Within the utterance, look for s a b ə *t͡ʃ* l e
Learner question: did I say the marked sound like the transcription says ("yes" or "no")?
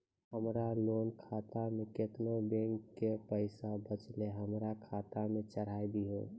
yes